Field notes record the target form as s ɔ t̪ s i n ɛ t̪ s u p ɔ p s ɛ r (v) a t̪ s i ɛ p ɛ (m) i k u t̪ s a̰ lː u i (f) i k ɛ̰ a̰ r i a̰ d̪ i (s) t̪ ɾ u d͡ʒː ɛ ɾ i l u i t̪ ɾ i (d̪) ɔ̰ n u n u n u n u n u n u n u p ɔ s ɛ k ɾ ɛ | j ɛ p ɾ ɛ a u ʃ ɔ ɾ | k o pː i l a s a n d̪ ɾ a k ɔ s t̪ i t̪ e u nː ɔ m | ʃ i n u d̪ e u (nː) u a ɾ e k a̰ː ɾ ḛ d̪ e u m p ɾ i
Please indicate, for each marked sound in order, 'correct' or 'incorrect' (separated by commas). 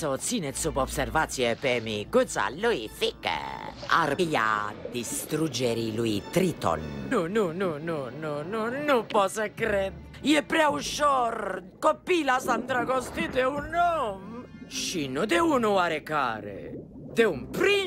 correct, correct, correct, correct, incorrect, incorrect